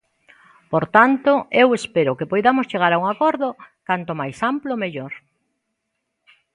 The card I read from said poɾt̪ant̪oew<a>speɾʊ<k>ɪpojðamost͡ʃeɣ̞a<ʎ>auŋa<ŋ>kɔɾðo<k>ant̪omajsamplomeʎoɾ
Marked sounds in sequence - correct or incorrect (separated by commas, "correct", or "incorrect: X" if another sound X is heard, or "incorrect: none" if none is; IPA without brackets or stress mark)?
incorrect: e, correct, incorrect: ɾ, incorrect: none, correct